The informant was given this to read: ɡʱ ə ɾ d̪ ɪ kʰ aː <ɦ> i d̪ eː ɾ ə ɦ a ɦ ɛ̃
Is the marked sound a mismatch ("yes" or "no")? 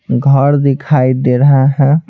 yes